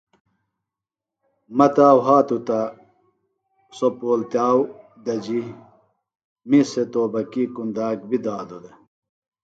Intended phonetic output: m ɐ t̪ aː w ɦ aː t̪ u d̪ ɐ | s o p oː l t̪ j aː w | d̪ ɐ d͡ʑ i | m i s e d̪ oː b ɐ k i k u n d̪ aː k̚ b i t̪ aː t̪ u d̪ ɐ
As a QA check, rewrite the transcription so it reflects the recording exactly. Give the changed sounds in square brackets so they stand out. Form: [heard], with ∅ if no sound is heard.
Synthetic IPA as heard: m ɐ t̪ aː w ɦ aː t̪ u [t̪] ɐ | s o p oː l t̪ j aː w | d̪ ɐ d͡ʑ i | m i s e [t̪] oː b ɐ k i k u n d̪ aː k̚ b i [d̪] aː [d̪] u d̪ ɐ